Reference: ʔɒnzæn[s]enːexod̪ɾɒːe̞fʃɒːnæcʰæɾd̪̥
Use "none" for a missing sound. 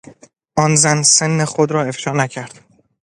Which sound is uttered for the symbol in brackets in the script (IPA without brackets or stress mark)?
s